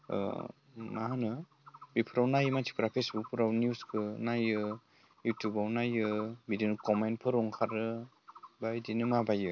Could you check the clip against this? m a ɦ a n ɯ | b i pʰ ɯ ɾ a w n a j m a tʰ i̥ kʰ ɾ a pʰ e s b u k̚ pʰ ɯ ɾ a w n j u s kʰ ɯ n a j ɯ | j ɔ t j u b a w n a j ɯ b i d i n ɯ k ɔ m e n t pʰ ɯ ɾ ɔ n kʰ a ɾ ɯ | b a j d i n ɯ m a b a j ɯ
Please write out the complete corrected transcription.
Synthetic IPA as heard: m a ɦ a n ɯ | b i pʰ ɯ ɾ a w n a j m a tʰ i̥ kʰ ɾ a pʰ e s b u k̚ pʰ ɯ ɾ a w n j u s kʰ ɯ n a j ɯ | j u t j u b a w n a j ɯ b i d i n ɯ k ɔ m e n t pʰ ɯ ɾ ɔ ŋ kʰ a ɾ ɯ | b a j d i n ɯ m a b a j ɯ